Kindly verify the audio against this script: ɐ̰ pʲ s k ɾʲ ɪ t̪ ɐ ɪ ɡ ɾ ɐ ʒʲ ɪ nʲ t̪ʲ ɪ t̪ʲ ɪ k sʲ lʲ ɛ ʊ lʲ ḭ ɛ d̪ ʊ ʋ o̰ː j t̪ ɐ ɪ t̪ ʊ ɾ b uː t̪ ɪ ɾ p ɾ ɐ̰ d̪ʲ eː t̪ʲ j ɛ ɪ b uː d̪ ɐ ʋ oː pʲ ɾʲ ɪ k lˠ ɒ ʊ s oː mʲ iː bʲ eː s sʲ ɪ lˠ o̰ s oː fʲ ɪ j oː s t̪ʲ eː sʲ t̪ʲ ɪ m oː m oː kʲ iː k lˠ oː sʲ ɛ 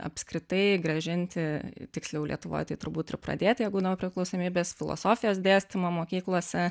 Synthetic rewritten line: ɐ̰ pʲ s k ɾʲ ɪ t̪ ɐ ɪ ɡ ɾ ɐ ʒʲ ɪ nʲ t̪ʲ ɪ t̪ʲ ɪ k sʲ lʲ ɛ ʊ lʲ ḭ ɛ t̪ ʊ ʋ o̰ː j t̪ ɐ ɪ t̪ ʊ ɾ b uː t̪ ɪ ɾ p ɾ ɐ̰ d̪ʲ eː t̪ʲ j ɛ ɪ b uː d̪ ɐ ʋ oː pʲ ɾʲ ɪ k lˠ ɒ ʊ s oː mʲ iː bʲ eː s fʲ ɪ lˠ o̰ s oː fʲ ɪ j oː s d̪ʲ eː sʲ t̪ʲ ɪ m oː m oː kʲ iː k lˠ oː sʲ ɛ